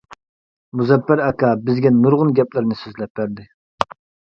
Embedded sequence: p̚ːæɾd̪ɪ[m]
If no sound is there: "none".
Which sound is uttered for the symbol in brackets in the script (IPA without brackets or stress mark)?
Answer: none